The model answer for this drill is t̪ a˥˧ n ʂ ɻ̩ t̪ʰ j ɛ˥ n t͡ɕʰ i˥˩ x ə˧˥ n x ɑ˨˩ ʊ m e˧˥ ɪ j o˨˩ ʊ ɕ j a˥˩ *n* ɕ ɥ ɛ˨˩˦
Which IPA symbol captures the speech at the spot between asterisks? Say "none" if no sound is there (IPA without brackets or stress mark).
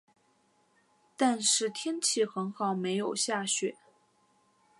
none